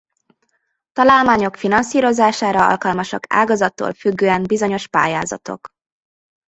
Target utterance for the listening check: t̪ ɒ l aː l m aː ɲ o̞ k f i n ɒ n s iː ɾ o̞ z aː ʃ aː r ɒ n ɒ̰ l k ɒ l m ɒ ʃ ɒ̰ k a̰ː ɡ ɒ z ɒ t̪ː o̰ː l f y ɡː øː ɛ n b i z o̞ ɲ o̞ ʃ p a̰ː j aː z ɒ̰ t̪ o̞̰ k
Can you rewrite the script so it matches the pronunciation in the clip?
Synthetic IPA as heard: t̪ ɒ l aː l m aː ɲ o̞ k f i n ɒ n s iː ɾ o̞ z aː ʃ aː ɾ ɒ ɒ̰ l k ɒ l m ɒ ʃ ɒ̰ k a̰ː ɡ ɒ z ɒ t̪ː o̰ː l f y ɡː øː ɛ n b i z o̞ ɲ o̞ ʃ p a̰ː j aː z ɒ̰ t̪ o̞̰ k